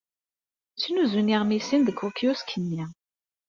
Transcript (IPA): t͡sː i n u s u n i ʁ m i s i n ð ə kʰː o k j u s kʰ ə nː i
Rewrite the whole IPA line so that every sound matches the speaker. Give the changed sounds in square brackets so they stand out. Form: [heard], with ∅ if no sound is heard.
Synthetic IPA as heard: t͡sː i n u [z] u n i ʁ m i s i n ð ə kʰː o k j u s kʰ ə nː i